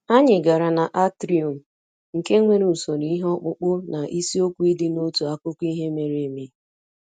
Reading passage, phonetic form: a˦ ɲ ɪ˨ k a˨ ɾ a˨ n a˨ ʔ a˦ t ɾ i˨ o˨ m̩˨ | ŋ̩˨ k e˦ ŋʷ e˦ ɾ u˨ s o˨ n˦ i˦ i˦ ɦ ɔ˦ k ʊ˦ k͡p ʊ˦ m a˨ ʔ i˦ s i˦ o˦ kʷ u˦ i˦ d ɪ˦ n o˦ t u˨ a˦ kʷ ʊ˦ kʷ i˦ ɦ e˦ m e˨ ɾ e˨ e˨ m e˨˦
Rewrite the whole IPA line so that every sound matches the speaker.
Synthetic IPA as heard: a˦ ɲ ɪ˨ ɡ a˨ ɾ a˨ n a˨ ʔ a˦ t ɾ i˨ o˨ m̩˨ | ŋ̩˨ k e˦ ŋʷ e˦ ɾ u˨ s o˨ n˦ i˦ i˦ ɦ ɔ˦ k͡p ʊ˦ k͡p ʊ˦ n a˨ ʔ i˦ s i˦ o˦ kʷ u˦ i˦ d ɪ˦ n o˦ t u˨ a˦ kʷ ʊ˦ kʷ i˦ ɦ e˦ m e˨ ɾ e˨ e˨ m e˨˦